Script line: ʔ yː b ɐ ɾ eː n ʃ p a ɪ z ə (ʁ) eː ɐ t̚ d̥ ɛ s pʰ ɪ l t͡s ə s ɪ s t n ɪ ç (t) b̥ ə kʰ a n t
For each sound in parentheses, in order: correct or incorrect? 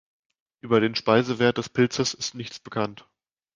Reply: incorrect, incorrect

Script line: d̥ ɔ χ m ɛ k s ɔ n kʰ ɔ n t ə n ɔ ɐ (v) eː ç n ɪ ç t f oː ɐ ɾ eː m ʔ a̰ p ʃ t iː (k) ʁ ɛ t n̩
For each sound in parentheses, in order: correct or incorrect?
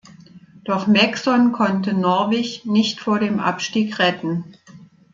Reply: correct, correct

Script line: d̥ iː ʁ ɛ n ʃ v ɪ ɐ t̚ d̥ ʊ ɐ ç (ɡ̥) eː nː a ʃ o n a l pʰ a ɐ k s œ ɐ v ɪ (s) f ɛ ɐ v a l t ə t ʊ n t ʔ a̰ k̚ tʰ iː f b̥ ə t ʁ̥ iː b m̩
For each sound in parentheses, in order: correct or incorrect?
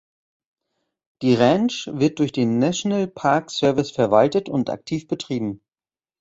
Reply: incorrect, correct

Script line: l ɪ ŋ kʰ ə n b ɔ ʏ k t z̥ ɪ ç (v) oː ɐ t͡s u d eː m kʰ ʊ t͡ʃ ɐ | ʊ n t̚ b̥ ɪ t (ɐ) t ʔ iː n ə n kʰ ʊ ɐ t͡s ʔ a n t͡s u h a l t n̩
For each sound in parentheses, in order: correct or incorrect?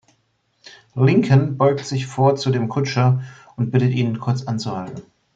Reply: incorrect, incorrect

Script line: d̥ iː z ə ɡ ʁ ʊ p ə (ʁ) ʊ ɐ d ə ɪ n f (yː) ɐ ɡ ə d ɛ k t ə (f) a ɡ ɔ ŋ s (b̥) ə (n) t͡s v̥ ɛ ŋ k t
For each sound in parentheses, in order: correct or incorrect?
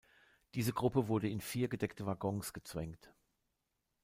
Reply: incorrect, incorrect, incorrect, incorrect, incorrect

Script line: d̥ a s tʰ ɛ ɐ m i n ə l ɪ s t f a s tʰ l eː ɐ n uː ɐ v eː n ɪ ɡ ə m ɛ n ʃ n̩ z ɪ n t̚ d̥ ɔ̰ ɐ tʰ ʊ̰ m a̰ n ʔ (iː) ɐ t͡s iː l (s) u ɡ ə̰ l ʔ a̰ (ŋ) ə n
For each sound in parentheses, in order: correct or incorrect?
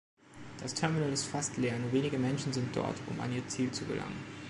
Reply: correct, incorrect, correct

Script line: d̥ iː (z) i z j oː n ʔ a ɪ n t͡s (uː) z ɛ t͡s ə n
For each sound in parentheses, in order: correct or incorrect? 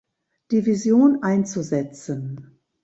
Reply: incorrect, incorrect

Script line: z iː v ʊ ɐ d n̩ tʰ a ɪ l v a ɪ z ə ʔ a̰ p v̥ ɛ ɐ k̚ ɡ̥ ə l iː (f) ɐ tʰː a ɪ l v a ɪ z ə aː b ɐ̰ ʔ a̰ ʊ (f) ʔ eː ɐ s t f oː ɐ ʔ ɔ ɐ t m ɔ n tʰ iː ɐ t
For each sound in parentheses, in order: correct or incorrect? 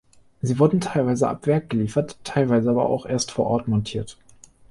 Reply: correct, incorrect

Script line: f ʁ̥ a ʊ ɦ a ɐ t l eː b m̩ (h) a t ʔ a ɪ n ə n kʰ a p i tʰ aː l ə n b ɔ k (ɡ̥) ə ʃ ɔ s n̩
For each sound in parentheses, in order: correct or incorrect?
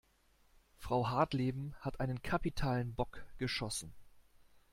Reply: correct, correct

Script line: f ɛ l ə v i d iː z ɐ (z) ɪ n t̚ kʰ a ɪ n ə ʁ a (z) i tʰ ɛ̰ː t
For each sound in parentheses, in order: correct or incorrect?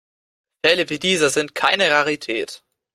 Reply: correct, incorrect

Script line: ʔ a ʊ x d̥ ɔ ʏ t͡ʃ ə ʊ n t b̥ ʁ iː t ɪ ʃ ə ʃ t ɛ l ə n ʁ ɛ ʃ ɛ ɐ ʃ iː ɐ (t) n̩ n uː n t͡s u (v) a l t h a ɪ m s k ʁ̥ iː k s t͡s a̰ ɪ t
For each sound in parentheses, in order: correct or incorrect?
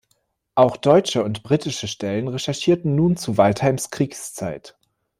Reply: correct, correct

